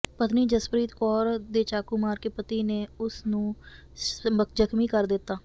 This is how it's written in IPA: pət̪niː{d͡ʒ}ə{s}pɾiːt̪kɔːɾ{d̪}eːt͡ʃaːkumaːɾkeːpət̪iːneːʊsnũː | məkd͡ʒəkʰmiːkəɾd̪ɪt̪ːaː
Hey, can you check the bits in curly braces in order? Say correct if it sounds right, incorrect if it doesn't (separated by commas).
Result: correct, correct, correct